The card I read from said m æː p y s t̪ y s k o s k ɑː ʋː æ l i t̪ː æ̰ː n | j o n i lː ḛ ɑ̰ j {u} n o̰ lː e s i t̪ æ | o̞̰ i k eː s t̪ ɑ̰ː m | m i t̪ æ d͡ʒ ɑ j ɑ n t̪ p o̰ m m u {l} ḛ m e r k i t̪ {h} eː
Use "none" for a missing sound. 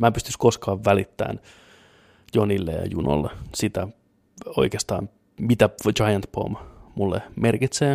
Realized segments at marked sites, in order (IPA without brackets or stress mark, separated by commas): u, lː, s